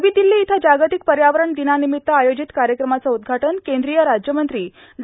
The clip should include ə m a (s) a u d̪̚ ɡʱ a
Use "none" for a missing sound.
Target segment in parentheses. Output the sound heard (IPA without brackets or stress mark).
t͡s